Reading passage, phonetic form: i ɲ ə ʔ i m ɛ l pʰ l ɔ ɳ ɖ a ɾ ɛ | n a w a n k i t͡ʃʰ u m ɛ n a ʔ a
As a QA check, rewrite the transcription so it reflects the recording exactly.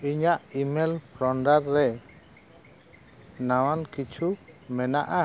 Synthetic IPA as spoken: i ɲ a ʔ i m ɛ l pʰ ɾ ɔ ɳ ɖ a ɾː ɛ | n a w a n k i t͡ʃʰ u m ɛ n a ʔ a

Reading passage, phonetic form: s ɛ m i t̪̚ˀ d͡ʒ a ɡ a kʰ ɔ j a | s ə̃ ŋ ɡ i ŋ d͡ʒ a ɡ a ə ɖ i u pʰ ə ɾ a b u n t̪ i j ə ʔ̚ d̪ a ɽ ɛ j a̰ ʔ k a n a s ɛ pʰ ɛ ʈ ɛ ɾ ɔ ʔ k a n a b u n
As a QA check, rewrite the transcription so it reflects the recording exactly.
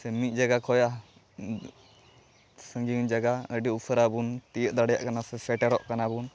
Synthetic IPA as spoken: s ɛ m i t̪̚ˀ d͡ʒ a ɡ a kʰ ɔ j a | s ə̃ ŋ ɡ i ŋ d͡ʒ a ɡ a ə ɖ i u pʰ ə ɾ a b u n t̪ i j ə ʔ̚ d̪ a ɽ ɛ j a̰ ʔ k a n a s ɛ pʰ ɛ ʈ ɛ ɾ ɔ ʔ k a n a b u n

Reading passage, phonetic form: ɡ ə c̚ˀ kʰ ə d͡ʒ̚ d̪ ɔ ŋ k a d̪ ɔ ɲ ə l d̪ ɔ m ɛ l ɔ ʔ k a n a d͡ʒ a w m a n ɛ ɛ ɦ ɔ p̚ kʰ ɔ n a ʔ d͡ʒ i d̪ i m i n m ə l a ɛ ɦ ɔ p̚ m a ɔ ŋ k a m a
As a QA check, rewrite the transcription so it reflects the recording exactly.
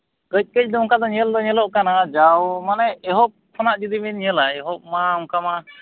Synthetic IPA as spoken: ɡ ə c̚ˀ k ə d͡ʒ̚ d̪ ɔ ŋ k a d̪ ɔ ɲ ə l d̪ ɔ ɲ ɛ l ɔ ʔ k a n a d͡ʒ a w m a n ɛ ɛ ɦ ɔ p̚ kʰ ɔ n a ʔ d͡ʒ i d̪ i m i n ɲ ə l a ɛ ɦ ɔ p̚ m a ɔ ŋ k a m a

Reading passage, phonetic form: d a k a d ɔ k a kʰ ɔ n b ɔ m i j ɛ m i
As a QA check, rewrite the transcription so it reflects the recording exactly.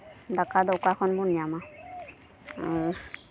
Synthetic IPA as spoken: d a k a d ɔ k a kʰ ɔ n b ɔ n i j a m a

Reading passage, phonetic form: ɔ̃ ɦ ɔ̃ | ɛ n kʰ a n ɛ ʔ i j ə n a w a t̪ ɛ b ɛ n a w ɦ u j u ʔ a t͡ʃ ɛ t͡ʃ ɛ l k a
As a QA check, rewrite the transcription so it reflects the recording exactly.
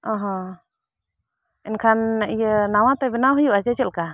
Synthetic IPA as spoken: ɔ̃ ɦ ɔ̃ | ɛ n kʰ a n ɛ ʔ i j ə n a w a t̪ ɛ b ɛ n a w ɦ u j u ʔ a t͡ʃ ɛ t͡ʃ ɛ l k a

